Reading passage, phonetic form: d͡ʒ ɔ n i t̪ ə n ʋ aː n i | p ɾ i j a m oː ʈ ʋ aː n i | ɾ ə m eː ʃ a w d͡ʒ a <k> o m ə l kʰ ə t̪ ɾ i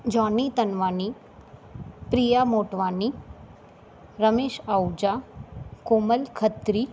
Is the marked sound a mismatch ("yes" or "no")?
no